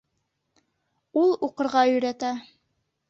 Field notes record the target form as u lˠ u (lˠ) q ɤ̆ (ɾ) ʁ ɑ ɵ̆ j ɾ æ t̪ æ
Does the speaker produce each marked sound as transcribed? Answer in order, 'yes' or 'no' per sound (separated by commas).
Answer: no, yes